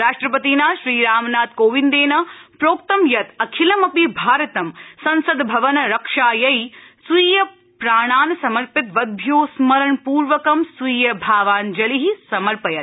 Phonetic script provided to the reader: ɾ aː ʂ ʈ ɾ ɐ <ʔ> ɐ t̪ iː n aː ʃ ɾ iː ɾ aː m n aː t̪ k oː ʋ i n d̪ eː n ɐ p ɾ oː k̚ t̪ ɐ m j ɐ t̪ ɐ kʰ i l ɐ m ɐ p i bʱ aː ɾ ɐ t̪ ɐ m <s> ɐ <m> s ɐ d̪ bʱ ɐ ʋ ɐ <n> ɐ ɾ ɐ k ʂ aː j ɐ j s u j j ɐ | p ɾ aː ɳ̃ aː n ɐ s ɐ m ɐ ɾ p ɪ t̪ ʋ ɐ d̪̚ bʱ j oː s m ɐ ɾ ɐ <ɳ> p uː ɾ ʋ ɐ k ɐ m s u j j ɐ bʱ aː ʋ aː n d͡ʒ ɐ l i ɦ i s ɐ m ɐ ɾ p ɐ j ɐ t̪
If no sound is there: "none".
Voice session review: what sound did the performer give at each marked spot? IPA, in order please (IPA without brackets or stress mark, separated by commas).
p, s, n, n, ɳ